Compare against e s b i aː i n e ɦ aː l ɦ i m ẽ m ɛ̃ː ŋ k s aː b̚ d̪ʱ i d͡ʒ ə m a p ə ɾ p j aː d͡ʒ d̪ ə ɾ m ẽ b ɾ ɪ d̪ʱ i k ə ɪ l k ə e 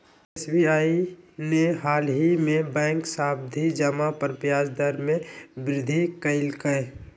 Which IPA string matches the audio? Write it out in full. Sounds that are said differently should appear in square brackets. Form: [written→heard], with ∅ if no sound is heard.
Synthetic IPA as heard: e s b i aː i n e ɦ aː l ɦ i m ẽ [m→b] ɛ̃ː ŋ k s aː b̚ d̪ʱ i d͡ʒ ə m a p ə ɾ p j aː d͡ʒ d̪ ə ɾ m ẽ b ɾ ɪ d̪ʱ i k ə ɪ l k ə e